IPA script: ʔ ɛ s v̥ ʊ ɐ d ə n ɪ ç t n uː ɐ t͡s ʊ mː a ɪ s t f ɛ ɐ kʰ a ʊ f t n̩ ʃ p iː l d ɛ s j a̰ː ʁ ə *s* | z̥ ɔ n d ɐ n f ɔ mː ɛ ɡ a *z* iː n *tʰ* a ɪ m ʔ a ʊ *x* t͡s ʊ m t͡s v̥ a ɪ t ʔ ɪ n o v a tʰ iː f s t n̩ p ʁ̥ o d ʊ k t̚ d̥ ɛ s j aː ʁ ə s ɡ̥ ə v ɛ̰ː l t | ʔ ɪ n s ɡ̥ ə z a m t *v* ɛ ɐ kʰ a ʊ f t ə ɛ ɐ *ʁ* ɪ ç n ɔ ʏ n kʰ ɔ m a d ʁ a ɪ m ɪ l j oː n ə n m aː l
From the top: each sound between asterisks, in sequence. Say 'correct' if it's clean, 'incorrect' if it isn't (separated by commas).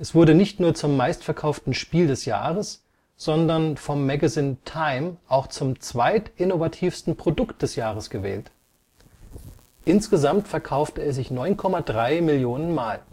correct, correct, correct, correct, incorrect, incorrect